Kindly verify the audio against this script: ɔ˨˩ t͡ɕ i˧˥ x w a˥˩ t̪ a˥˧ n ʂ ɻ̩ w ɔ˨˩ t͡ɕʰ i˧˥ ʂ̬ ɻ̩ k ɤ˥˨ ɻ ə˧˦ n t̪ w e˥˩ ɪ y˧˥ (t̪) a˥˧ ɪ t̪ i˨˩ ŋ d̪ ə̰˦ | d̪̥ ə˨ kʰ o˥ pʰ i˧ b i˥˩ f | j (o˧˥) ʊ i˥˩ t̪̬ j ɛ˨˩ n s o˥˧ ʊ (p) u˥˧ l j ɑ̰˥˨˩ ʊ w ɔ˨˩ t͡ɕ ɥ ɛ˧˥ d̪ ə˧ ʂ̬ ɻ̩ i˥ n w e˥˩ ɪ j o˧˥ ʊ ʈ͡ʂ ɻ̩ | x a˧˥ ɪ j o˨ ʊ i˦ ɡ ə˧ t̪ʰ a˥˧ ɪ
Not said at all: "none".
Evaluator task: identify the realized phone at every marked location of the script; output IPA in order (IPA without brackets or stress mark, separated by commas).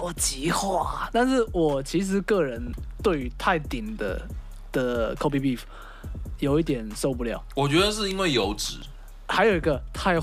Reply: t̪ʰ, o˨˩, p